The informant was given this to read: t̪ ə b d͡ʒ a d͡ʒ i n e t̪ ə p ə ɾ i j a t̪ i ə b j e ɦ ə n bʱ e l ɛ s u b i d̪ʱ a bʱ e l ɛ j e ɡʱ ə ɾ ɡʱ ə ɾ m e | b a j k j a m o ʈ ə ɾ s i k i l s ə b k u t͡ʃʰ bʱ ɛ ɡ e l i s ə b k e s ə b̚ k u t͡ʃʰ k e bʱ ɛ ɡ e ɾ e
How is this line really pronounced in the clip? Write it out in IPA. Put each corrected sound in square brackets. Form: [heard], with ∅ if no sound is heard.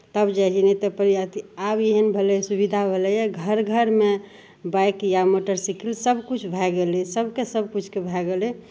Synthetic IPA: t̪ ə b d͡ʒ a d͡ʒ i n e t̪ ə p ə ɾ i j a t̪ i [a] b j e ɦ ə n bʱ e l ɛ s u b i d̪ʱ a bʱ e l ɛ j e ɡʱ ə ɾ ɡʱ ə ɾ m e | b a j k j a m o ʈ ə ɾ s i k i l s ə b k u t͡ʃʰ bʱ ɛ ɡ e l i s ə b k e s ə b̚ k u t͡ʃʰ k e bʱ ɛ ɡ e [l] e